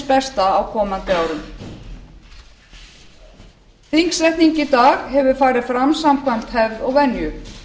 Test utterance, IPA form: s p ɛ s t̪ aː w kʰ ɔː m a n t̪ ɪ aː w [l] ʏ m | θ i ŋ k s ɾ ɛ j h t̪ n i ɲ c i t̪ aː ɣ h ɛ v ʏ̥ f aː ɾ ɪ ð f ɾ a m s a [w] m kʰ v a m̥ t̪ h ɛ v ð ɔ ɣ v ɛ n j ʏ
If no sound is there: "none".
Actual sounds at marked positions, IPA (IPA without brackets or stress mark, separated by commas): ɾ, none